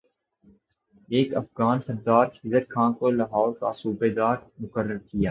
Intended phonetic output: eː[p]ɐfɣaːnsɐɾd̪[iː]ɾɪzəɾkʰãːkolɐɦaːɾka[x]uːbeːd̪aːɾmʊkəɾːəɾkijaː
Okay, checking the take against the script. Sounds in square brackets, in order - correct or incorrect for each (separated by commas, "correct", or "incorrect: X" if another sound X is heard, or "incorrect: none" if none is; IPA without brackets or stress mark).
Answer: incorrect: k, incorrect: aː, incorrect: s